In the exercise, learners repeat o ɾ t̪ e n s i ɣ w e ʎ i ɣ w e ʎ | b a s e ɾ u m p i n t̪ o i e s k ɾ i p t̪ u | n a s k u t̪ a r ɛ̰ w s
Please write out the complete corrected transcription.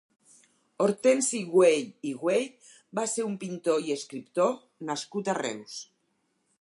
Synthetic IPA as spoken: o ɾ t̪ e n s i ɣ w e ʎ i ɣ w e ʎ | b a s e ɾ u m p i n t̪ o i e s k ɾ i p t̪ o | n a s k u t̪ a r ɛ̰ w s